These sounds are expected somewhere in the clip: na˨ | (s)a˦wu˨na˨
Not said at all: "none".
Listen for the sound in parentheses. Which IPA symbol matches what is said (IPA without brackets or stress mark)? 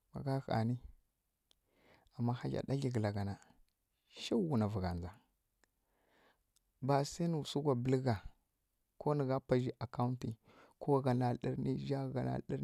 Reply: ʃ